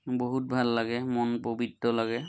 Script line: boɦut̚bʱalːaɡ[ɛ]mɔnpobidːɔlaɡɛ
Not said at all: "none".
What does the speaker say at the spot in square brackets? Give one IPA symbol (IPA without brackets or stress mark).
ɛ